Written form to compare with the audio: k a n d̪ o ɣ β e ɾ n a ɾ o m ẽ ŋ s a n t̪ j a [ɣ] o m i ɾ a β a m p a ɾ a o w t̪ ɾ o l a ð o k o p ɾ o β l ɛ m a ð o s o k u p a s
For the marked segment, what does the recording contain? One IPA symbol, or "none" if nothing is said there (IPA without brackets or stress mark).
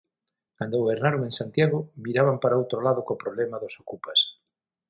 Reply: ɣ